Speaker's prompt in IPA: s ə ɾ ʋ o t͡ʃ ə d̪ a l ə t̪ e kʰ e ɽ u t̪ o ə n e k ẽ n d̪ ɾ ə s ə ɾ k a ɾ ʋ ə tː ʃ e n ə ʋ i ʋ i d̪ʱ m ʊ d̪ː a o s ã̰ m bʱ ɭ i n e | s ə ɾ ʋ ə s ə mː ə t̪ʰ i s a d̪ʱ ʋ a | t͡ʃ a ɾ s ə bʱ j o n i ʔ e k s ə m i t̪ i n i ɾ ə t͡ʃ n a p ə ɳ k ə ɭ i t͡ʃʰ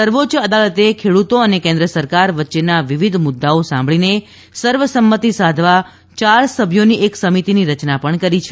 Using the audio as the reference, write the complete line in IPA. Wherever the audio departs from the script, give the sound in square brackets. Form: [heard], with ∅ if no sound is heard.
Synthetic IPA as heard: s ə ɾ ʋ o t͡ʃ ə d̪ a l ə t̪ e kʰ e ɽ u t̪ o ə n e k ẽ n d̪ ɾ ə s ə ɾ k a ɾ ʋ ə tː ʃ e n [a] ʋ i ʋ i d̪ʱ m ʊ d̪ː a o s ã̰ m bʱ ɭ i n e | s ə ɾ ʋ ə s ə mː ə [t̪] i s a d̪ʱ ʋ a | t͡ʃ a ɾ s ə bʱ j o n i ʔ e k s ə m i t̪ i n i ɾ ə t͡ʃ n a p ə ɳ k ə [ɾ] i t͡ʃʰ